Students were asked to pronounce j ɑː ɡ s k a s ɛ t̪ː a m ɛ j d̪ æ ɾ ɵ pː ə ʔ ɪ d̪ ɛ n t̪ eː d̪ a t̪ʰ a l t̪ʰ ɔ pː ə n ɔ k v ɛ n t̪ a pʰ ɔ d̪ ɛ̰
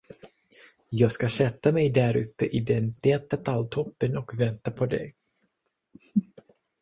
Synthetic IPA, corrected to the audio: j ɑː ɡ s k a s ɛ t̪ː a m ɛ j d̪ æ ɾ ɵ pː ə ʔ ɪ d̪ ɛ n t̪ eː t̪ a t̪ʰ a l t̪ʰ ɔ pː ə n ɔ k v ɛ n t̪ a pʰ ɔ d̪ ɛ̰

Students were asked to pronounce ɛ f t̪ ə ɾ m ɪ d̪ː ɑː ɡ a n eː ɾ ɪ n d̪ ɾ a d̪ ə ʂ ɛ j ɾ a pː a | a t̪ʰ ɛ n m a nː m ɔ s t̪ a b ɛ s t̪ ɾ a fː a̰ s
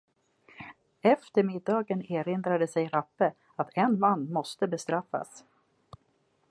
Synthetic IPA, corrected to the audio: ɛ f t̪ ə ɾ m ɪ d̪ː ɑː ɡ ə n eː ɾ ɪ n d̪ ɾ a d̪ ə s ɛ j ɾ a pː ə | a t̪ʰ ɛ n m a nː m ɔ s t̪ ə b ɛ s t̪ ɾ a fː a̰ s

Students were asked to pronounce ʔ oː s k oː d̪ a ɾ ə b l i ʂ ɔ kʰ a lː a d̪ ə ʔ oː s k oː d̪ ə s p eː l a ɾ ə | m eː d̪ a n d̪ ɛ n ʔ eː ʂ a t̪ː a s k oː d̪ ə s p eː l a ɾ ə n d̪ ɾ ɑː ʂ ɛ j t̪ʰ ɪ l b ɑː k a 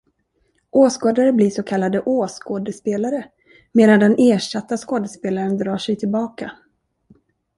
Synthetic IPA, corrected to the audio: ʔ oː s k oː d̪ a ɾ ə b l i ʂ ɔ kʰ a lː a d̪ ə ʔ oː s k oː d̪ ə s p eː l a ɾ ə | m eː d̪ a n d̪ ɛ n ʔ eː ʂ a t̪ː a s k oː d̪ ə s p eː l a ɾ ə n d̪ ɾ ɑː ʂ ɛ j t̪ʰ ɪ l b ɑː k a

